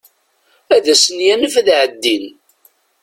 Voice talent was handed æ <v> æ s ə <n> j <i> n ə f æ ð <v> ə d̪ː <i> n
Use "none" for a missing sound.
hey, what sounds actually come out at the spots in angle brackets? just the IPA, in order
ð, n, æ, ʕ, i

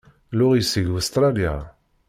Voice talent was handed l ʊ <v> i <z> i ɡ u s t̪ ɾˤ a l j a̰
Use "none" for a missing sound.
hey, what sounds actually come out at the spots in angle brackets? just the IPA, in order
ʁ, s

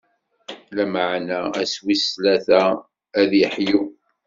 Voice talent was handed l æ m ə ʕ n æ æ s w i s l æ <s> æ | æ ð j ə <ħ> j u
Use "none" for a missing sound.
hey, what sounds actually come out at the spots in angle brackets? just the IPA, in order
θ, ħ

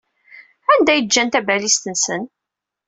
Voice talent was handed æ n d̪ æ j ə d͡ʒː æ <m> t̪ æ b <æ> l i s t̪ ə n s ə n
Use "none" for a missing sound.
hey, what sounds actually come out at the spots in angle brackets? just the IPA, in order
n, æ

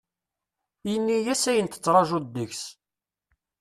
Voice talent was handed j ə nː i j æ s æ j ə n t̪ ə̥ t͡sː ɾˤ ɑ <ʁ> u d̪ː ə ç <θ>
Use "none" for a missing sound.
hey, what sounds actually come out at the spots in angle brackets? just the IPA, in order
ʒ, s

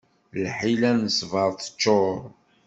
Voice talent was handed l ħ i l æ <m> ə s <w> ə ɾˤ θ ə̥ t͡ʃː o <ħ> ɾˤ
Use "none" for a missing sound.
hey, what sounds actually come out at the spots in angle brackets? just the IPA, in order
n, v, none

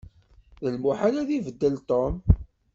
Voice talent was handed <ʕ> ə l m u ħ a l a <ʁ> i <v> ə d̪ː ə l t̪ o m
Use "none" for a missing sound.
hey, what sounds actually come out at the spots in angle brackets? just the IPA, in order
ð, ð, v

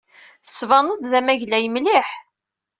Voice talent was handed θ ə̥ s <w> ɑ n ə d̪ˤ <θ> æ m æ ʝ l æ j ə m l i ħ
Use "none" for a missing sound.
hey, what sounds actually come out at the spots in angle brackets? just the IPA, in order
v, ð

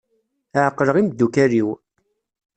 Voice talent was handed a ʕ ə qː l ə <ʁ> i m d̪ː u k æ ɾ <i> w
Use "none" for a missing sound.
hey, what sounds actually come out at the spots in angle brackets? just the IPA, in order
ʁ, i

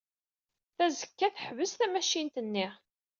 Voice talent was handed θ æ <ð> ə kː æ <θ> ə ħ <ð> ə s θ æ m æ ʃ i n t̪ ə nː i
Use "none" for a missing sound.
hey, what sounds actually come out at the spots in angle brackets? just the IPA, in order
z, θ, v

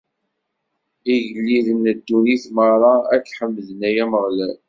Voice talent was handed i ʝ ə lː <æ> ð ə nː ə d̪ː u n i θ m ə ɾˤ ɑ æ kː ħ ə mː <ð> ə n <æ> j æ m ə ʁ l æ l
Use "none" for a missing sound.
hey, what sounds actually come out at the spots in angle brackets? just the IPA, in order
i, ð, æ

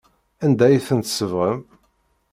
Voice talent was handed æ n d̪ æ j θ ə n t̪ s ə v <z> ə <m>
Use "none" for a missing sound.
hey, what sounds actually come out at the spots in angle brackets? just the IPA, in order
ʁ, m

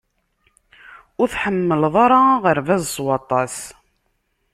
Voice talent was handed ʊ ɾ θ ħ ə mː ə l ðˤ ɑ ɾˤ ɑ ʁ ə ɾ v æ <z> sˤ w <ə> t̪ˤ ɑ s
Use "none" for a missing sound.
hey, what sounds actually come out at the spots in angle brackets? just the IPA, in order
z, ɑ

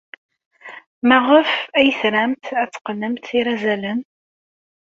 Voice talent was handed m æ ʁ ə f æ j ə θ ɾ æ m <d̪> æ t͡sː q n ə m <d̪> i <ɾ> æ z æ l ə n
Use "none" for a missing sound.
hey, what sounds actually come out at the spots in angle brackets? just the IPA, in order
t̪, t̪, ɾ

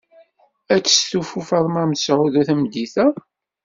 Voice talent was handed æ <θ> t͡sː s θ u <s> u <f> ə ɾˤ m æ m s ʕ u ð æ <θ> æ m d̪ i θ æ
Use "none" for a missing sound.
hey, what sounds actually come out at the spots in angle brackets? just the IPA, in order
none, f, f, θ

